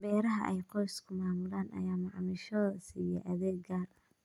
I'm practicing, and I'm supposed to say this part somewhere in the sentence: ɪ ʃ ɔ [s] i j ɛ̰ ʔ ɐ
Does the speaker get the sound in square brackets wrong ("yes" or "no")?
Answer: no